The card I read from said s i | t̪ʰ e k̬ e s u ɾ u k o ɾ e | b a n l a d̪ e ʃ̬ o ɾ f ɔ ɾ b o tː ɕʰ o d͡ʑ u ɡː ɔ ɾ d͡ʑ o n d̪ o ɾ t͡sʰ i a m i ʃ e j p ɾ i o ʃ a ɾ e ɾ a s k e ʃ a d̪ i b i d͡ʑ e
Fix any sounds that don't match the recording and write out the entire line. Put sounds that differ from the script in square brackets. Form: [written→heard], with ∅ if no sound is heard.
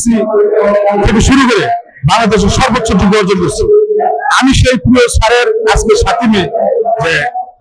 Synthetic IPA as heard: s i | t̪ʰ e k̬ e [s→ʃ] u ɾ u k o ɾ e | b a [n→ŋ] l a d̪ e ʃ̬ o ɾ [f→ʃ] ɔ ɾ b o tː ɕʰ o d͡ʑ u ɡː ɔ ɾ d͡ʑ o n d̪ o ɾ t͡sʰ i a m i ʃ e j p ɾ i o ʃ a ɾ e ɾ a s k e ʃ a [d̪→t̪] i [b→m] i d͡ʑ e